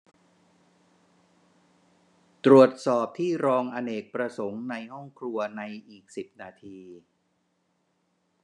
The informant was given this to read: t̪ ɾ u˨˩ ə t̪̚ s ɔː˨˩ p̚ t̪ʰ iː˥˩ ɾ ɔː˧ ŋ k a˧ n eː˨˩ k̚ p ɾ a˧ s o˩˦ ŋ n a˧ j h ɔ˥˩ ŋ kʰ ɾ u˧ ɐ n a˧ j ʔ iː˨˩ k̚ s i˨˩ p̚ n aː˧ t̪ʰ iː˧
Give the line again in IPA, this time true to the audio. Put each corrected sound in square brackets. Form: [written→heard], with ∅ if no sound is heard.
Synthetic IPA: t̪ ɾ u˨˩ ə t̪̚ s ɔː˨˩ p̚ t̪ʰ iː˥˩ ɾ ɔː˧ ŋ [k→ʔ] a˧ n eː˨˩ k̚ p ɾ a˧ s o˩˦ ŋ n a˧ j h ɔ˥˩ ŋ kʰ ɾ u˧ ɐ n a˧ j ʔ iː˨˩ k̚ s i˨˩ p̚ n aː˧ t̪ʰ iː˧